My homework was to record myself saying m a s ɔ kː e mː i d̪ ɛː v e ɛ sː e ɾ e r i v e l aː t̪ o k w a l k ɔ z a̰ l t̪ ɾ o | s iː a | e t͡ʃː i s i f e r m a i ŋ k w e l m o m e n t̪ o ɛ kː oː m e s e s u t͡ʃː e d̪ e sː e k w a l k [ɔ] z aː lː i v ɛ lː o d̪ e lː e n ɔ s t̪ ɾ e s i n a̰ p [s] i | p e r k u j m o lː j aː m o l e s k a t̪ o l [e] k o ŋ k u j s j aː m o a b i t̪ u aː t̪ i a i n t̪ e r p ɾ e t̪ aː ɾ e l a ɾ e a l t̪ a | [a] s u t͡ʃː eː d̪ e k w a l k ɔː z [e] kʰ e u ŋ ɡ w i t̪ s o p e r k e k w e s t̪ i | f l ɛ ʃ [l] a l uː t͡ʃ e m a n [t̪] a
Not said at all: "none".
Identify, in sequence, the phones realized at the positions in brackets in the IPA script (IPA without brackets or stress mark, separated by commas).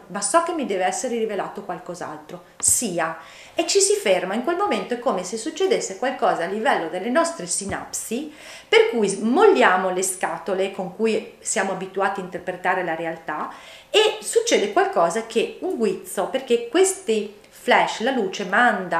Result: ɔː, s, e, e, a, l, d̪